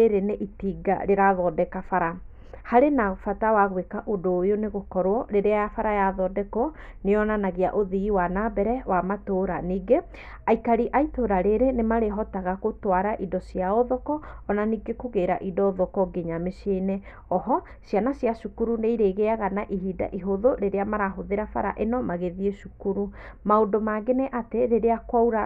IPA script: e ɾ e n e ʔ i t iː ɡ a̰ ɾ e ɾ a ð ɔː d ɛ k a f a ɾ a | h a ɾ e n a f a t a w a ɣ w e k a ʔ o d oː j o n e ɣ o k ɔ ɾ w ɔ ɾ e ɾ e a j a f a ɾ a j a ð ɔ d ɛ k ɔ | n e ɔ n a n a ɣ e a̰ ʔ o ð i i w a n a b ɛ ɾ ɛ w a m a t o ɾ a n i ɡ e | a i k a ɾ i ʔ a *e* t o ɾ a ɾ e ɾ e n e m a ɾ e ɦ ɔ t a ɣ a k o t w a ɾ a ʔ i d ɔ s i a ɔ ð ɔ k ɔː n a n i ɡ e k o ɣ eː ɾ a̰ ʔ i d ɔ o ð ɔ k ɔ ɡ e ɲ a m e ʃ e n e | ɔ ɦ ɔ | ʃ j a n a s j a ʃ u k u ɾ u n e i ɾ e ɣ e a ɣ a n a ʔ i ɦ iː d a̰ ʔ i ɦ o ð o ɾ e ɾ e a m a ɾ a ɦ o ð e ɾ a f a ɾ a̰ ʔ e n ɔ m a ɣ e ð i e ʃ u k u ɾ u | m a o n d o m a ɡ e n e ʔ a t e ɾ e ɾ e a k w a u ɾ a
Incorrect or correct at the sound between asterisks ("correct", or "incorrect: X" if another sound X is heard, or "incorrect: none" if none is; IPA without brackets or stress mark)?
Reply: incorrect: i